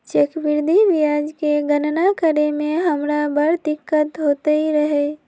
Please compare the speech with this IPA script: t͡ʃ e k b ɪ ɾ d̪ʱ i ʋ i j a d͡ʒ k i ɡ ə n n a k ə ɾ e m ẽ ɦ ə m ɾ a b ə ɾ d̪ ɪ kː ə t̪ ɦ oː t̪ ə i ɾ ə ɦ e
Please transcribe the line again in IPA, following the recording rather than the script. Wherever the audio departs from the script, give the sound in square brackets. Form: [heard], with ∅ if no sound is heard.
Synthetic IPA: t͡ʃ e k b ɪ ɾ d̪ʱ i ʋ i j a d͡ʒ k [e] ɡ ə n n a k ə ɾ e m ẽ ɦ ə m ɾ a b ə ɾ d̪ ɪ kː ə t̪ ɦ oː t̪ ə i ɾ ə ɦ e